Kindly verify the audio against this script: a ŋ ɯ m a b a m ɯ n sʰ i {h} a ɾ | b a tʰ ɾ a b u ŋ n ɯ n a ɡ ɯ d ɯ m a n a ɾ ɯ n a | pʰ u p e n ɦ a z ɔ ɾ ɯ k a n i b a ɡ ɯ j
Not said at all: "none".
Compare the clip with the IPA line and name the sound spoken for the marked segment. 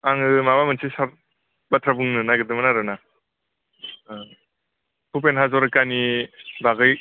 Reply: s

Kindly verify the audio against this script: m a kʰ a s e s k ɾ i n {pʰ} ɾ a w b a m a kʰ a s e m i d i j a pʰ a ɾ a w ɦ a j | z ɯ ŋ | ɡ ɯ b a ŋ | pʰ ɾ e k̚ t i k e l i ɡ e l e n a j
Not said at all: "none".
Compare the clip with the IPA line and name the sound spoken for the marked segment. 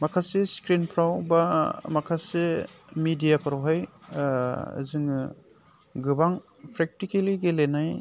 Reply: pʰ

